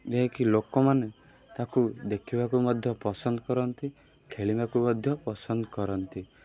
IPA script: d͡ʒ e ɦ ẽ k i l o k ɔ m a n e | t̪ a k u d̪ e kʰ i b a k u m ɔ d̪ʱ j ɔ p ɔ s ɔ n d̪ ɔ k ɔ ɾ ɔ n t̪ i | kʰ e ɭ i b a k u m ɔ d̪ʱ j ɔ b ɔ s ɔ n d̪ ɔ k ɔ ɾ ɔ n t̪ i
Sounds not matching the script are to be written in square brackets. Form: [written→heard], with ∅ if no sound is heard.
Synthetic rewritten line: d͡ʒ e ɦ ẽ k i l o k ɔ m a n e | t̪ a k u d̪ e kʰ i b a k u m ɔ d̪ʱ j ɔ p ɔ s ɔ n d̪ ɔ k ɔ ɾ ɔ n t̪ i | kʰ e ɭ i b a k u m ɔ d̪ʱ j ɔ [b→p] ɔ s ɔ n d̪ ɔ k ɔ ɾ ɔ n t̪ i